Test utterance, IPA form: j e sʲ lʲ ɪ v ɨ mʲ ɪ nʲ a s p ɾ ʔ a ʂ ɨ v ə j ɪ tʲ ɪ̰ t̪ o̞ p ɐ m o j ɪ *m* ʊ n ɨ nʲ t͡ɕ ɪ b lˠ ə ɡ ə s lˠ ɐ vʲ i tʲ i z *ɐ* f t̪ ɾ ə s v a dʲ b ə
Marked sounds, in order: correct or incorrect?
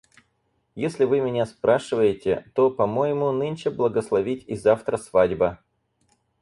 correct, incorrect: a

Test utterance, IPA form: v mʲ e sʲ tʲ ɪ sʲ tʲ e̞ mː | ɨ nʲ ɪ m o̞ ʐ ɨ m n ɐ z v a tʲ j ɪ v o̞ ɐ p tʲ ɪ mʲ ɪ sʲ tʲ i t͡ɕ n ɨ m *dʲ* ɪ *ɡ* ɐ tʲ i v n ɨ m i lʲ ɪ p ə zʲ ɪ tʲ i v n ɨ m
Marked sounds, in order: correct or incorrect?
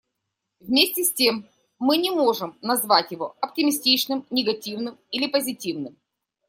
incorrect: nʲ, correct

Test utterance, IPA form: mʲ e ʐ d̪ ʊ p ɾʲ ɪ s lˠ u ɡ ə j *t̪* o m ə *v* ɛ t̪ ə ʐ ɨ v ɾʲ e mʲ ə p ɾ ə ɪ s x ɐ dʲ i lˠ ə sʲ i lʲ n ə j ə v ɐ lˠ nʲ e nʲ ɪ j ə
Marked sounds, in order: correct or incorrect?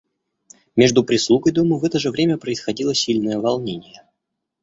incorrect: d̪, correct

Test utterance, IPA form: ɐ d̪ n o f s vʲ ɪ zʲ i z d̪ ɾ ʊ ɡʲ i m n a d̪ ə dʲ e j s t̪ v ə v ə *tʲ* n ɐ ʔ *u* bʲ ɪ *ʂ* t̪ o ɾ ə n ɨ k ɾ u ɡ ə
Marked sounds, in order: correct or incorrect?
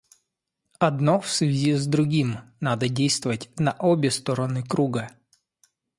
correct, incorrect: o, incorrect: s

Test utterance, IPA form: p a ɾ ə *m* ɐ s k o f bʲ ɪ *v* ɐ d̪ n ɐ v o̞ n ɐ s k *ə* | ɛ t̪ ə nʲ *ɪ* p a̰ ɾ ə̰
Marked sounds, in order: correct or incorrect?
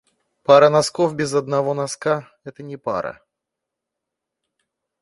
incorrect: n, incorrect: z, incorrect: a, correct

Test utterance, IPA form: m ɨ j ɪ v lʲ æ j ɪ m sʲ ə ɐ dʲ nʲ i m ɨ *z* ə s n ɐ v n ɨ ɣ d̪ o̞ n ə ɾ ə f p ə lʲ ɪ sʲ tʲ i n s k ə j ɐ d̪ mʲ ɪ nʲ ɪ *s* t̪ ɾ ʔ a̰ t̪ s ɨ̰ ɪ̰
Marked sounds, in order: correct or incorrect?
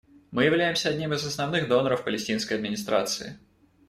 correct, correct

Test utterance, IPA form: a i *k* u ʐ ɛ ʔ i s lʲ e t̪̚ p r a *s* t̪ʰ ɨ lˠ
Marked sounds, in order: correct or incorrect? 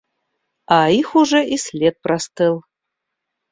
incorrect: x, correct

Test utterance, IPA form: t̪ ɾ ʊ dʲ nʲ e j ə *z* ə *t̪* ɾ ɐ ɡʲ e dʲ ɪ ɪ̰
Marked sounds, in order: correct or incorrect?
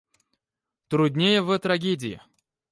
incorrect: v, correct

